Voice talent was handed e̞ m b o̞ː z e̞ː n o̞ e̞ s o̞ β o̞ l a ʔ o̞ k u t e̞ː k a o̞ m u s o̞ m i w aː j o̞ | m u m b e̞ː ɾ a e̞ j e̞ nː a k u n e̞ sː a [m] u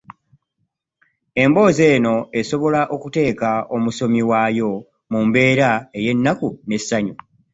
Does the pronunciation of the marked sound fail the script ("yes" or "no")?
yes